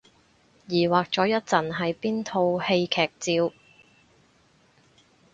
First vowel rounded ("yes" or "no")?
no